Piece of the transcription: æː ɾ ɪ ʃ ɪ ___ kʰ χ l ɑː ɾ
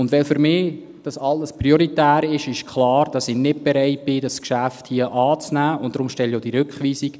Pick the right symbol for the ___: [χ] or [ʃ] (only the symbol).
ʃ